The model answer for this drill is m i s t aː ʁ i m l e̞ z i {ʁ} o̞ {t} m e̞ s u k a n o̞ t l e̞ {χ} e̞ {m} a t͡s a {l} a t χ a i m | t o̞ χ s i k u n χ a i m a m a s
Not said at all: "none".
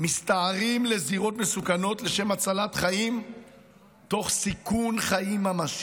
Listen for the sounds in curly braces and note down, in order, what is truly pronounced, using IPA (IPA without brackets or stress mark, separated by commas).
ʁ, t, ʃ, m, l